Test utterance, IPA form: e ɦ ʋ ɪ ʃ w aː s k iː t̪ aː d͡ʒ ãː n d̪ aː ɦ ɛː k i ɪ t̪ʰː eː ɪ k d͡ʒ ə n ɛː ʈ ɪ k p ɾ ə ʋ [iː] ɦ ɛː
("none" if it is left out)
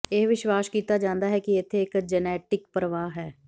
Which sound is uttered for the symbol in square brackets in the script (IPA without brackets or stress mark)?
aː